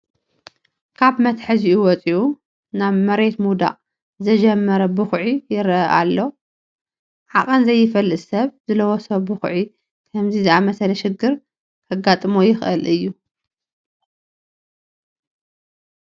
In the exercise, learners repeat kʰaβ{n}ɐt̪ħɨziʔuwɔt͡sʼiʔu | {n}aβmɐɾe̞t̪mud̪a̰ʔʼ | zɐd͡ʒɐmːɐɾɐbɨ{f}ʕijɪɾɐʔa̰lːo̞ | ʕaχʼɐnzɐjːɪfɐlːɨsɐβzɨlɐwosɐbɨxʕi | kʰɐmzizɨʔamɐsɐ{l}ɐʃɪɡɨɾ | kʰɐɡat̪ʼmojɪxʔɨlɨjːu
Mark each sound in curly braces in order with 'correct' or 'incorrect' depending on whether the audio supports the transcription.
incorrect: m, correct, incorrect: x, correct

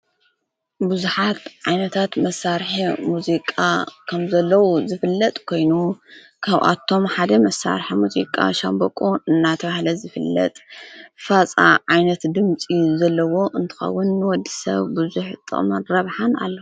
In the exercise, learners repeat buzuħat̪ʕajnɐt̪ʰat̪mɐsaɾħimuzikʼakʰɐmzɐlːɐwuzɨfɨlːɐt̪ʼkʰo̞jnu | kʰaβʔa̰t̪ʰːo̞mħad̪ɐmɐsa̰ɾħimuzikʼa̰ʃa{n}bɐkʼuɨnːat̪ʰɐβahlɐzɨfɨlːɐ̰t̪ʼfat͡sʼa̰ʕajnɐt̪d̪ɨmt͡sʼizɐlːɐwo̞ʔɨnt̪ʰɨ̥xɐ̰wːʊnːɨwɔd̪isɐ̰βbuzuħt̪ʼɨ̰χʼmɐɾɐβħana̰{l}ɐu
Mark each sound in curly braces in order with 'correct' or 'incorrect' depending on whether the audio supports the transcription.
incorrect: m, incorrect: lː

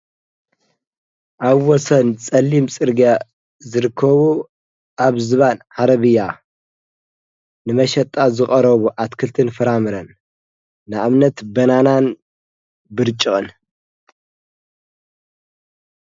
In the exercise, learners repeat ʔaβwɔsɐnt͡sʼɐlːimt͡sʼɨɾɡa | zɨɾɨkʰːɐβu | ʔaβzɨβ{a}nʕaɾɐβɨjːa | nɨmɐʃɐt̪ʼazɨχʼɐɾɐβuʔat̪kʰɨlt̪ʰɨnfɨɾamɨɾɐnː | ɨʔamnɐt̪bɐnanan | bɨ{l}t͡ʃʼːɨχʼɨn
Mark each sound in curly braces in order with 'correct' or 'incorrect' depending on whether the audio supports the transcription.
correct, incorrect: ɾ

